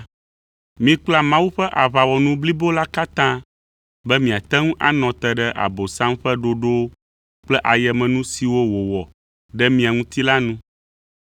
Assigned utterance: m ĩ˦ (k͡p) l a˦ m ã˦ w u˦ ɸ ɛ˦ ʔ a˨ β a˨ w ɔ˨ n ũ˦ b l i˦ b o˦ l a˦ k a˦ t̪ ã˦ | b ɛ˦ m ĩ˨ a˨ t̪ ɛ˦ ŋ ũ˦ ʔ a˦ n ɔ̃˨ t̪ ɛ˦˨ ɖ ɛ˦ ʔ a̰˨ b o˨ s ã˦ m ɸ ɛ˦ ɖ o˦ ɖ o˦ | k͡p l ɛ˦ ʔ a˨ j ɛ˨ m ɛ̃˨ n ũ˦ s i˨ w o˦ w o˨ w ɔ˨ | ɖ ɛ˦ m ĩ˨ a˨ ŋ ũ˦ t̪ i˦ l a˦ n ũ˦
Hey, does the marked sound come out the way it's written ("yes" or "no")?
yes